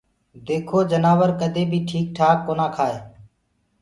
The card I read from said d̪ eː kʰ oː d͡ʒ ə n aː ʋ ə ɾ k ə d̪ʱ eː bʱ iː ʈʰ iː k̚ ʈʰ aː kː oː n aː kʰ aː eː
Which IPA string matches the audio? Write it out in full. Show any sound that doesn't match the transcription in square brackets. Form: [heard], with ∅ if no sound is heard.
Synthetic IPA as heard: d̪ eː kʰ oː d͡ʒ ə n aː ʋ ə ɾ k ə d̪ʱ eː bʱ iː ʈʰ iː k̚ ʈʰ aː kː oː n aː kʰ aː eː